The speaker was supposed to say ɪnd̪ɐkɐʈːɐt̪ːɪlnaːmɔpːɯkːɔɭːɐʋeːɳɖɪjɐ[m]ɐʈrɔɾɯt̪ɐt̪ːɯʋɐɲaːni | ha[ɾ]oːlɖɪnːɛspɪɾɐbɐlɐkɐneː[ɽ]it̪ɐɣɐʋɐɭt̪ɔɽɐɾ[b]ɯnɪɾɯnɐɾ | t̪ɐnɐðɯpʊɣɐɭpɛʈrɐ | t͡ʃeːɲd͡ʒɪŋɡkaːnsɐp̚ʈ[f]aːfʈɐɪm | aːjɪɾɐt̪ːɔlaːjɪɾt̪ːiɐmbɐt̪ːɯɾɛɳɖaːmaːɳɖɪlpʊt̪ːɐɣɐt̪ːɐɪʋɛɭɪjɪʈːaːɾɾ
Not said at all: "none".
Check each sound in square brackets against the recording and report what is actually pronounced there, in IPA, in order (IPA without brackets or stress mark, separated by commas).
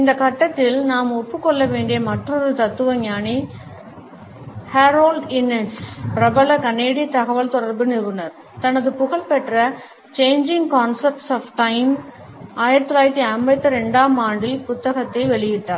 m, ɾ, ɽ, b, s